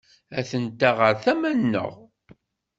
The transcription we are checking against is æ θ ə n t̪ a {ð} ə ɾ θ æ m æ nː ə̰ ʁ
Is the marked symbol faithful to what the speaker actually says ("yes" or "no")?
no